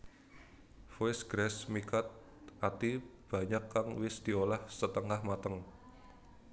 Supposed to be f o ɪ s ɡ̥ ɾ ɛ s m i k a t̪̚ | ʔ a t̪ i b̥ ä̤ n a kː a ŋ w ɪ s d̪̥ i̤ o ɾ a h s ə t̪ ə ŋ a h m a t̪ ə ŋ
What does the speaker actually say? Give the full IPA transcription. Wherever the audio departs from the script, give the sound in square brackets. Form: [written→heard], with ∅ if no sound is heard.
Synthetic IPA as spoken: f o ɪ s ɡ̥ ɾ ɛ s m i k a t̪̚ | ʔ a t̪ i b̥ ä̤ [n→ɲ] a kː a ŋ w ɪ s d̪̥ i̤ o [ɾ→l] a h s ə t̪ ə ŋ a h m a t̪ ə ŋ